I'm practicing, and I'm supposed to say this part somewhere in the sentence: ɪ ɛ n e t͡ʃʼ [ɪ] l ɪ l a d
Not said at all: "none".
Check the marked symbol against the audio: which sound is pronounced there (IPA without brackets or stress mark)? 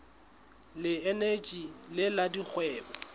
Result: i